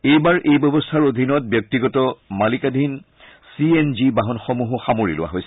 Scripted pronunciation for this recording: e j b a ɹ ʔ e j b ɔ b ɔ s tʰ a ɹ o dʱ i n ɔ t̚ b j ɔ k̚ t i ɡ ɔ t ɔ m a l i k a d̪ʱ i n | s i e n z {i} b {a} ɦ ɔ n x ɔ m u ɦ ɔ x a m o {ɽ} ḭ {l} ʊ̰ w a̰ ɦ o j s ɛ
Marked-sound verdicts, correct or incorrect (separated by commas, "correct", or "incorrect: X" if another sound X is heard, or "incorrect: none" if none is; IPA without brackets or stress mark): correct, correct, incorrect: ɹ, correct